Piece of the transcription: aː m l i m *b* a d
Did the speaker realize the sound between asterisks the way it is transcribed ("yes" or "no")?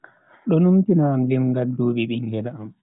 no